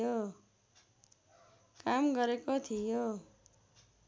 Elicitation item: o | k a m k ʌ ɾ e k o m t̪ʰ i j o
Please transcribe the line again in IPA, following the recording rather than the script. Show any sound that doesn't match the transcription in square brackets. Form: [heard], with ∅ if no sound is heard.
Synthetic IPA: o | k a m [ɡ] ʌ ɾ e k o [∅] t̪ʰ i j o